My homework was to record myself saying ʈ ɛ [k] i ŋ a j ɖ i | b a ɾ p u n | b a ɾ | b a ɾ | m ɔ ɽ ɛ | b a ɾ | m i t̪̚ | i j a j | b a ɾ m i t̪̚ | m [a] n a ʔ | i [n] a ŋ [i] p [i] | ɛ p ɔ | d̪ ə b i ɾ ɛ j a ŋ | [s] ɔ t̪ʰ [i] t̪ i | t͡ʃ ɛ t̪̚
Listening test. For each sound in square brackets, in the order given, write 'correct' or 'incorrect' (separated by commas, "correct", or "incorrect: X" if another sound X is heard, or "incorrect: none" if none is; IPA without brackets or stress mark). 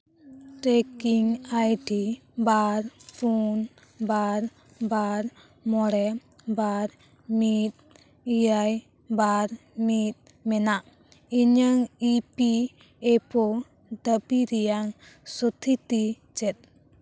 correct, incorrect: ɛ, incorrect: ɲ, correct, correct, correct, correct